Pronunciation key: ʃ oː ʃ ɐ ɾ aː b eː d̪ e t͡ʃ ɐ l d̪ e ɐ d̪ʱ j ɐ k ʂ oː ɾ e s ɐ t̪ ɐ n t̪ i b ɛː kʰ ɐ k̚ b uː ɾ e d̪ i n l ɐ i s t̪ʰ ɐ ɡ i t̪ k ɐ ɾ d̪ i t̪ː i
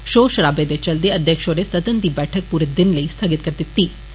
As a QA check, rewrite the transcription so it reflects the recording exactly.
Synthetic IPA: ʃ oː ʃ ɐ ɾ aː b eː d̪ e t͡ʃ ɐ l d̪ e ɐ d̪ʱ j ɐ k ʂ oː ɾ e s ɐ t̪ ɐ n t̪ i b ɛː ʈʰ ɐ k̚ p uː ɾ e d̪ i n l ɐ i s t̪ʰ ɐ ɡ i t̪ k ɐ ɾ t̪ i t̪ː i